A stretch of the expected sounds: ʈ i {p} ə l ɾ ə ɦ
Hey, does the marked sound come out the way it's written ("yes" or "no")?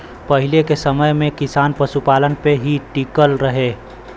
no